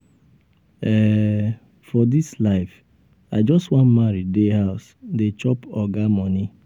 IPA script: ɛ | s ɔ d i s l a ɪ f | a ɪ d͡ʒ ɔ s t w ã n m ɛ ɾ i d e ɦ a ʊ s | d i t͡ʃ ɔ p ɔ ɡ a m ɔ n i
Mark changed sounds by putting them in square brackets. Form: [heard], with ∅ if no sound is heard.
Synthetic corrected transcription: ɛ | [f] ɔ d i s l a ɪ f | a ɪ d͡ʒ ɔ s t w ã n m [a] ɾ i d e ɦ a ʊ s | d [e] t͡ʃ ɔ p ɔ ɡ a m ɔ n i